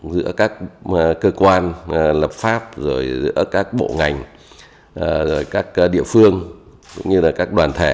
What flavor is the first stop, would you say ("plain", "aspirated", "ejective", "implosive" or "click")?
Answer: plain